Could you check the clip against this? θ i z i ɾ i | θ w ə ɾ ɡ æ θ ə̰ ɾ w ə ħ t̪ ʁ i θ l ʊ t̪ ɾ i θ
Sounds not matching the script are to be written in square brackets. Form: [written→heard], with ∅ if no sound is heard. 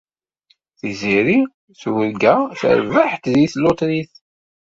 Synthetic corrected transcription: θ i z i ɾ i | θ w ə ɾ ɡ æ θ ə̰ ɾ [w→v] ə ħ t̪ [ʁ→ð] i θ l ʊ t̪ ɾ i θ